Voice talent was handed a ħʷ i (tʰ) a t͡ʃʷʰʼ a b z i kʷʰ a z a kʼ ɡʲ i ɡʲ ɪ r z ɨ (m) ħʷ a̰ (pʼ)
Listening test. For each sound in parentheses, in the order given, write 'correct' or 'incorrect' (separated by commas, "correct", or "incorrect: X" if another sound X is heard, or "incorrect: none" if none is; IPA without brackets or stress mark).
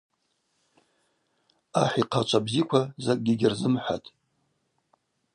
incorrect: qʰ, correct, incorrect: tʼ